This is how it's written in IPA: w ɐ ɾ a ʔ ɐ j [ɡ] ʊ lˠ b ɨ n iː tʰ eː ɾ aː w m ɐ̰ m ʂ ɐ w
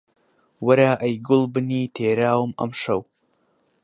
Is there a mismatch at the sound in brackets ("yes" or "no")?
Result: no